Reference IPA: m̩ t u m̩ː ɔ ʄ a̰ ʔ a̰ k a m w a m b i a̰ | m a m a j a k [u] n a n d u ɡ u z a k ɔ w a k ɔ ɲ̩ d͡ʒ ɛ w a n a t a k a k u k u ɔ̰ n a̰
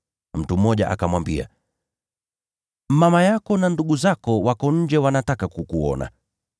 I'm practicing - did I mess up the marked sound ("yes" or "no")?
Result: yes